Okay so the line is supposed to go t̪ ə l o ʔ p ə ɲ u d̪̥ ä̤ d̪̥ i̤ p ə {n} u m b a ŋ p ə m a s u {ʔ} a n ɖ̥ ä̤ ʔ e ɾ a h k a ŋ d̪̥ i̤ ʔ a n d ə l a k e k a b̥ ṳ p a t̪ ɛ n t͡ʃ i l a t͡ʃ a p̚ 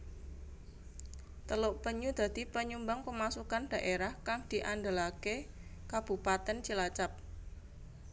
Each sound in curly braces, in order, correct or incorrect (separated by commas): incorrect, incorrect